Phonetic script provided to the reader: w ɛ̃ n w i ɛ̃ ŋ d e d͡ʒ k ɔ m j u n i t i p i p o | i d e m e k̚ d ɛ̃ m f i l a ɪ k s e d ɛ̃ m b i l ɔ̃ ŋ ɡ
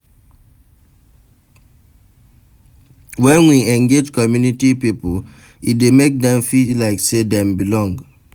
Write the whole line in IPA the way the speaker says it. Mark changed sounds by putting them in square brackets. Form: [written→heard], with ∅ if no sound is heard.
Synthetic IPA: w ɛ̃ n w i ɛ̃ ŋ [d→ɡ] e d͡ʒ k ɔ m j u n i t i p i p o | i d e m e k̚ d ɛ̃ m f i l a ɪ k s e d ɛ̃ m b i l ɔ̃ ŋ ɡ